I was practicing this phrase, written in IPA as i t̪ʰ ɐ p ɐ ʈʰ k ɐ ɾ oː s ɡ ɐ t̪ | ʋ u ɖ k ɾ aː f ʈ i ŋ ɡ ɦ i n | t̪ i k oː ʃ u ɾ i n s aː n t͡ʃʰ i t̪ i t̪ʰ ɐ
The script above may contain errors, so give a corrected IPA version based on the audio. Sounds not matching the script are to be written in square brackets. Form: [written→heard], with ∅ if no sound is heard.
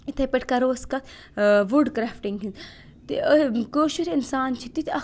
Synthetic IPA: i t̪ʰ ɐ p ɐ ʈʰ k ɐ ɾ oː s [ɡ→k] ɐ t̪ | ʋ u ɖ k ɾ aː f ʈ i ŋ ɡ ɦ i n | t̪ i k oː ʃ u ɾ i n s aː n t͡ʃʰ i t̪ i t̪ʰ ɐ

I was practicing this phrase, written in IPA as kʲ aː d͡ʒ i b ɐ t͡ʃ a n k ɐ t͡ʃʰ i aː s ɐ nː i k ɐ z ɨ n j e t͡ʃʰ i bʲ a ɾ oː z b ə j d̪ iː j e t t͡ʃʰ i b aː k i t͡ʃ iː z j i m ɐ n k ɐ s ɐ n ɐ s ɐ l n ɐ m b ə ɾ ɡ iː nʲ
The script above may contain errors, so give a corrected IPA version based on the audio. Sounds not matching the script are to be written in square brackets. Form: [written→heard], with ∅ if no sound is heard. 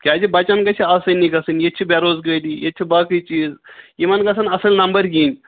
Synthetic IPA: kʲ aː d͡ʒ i b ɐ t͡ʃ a n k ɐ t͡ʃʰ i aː s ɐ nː i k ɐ [z→s] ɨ n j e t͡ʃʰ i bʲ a ɾ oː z [b→ɡ] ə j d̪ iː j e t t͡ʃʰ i b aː k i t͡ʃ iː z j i m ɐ n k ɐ s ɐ n ɐ s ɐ l n ɐ m b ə ɾ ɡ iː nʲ

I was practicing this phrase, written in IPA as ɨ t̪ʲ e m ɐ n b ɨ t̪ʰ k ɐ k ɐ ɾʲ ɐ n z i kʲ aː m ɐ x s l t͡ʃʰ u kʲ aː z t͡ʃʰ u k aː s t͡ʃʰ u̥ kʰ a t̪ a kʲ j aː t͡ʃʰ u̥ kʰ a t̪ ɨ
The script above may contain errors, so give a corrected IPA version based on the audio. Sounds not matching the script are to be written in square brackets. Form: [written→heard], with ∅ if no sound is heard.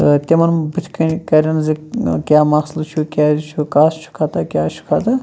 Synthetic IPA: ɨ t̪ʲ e m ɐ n b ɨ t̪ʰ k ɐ k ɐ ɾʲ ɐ n z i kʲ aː m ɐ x s l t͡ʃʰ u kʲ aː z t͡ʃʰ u k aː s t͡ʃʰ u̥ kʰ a t̪ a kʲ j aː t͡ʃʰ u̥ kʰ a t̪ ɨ

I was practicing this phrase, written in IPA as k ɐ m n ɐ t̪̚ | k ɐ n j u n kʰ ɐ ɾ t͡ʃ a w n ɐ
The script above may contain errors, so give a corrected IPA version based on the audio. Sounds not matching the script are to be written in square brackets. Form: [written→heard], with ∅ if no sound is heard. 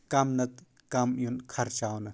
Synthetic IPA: k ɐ m n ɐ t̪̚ | k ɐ [n→m] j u n kʰ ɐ ɾ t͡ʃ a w n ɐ

